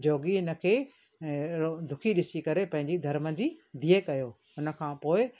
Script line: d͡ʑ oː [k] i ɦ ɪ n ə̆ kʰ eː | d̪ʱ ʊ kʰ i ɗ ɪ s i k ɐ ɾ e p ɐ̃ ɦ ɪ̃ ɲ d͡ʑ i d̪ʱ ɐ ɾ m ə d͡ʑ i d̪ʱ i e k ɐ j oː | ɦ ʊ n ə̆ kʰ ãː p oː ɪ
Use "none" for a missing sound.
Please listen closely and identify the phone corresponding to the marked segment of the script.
ɡ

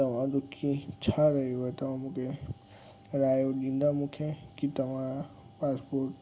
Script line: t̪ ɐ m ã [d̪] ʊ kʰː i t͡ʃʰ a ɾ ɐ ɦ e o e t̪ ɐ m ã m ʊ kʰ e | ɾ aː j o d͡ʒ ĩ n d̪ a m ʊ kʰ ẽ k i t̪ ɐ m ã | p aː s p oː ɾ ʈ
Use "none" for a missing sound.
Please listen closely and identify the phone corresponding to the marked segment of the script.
d̪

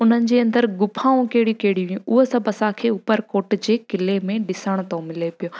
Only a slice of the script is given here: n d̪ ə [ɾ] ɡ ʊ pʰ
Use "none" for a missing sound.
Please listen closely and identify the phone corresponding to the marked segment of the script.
ɾ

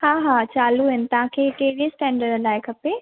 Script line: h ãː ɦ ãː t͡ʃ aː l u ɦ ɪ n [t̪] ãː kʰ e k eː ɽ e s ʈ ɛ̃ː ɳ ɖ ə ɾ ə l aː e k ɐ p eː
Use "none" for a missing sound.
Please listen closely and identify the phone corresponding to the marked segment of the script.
t̪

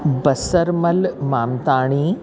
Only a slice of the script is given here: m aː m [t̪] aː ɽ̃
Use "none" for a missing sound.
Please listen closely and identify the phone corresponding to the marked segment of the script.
t̪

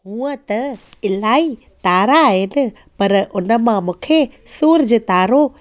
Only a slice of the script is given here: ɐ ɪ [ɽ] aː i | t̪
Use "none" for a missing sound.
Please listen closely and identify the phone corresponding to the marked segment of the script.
l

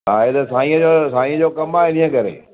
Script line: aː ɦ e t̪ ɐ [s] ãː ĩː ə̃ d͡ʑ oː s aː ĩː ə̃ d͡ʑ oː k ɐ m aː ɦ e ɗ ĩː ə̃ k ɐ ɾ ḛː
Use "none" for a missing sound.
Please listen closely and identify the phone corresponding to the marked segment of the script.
s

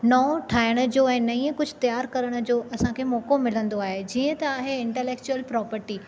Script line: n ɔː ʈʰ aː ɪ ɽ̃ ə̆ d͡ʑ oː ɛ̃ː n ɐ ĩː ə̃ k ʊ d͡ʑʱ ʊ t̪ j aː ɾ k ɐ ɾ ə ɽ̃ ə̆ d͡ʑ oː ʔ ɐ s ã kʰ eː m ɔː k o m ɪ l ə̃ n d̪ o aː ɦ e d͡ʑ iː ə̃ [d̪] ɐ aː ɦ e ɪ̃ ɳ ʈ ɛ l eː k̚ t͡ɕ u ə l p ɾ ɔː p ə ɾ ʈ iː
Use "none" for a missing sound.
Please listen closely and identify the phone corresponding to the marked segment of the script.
t̪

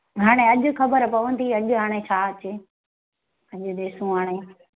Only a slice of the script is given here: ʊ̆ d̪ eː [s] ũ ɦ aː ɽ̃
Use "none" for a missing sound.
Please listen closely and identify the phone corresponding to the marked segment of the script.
s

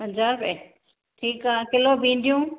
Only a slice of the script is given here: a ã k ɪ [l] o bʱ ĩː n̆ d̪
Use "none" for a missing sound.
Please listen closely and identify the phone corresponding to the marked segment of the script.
l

